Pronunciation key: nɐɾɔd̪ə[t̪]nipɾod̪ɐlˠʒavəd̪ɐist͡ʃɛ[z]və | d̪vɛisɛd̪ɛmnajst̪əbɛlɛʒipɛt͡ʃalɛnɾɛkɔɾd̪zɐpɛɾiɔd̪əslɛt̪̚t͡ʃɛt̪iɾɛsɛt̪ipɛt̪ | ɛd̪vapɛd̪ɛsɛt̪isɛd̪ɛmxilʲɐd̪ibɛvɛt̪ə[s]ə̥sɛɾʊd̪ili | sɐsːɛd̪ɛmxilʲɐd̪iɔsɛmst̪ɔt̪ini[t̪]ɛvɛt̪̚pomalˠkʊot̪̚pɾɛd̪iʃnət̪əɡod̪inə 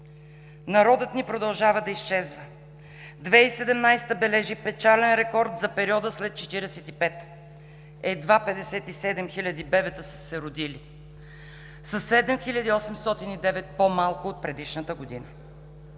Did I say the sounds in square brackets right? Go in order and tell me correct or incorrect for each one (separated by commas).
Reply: correct, correct, correct, incorrect